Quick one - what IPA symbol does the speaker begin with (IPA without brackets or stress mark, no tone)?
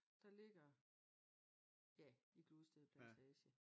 d̥